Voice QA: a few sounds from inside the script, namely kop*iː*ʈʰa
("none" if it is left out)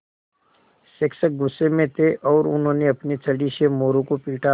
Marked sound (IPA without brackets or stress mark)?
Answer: iː